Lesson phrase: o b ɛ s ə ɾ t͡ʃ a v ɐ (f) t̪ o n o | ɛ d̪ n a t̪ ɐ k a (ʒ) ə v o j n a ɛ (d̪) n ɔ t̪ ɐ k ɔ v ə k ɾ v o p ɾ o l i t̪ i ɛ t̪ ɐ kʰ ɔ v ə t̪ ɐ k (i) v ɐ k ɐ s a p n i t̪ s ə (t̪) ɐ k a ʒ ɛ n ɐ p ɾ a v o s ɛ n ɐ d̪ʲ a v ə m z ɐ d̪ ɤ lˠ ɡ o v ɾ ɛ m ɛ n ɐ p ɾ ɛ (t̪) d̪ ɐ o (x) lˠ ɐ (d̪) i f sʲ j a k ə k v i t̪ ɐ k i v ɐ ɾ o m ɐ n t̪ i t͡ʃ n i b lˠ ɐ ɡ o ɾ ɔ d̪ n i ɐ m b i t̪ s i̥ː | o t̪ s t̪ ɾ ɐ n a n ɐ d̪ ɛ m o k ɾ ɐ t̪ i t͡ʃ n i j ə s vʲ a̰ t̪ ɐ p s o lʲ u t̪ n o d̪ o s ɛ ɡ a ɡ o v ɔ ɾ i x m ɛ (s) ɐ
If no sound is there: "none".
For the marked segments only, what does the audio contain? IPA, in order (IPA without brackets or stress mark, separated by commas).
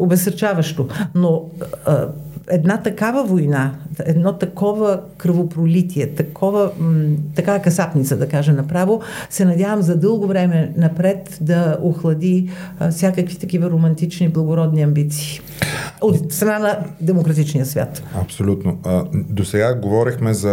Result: ʃ, v, d̪, a, d̪, t̪, x, d̪, z